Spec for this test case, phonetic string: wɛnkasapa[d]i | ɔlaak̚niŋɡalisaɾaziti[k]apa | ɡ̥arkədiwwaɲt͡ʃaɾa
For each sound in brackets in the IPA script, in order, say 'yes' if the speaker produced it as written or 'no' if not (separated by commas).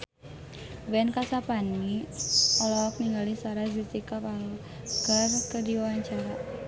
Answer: no, yes